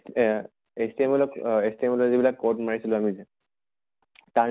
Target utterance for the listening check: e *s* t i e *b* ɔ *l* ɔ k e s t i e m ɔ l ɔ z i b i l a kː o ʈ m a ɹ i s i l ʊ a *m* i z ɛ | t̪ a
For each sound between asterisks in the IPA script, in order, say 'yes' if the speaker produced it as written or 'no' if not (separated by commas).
yes, no, yes, yes